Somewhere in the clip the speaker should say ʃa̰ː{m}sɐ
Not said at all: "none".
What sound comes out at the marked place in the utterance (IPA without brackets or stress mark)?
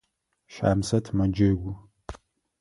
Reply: m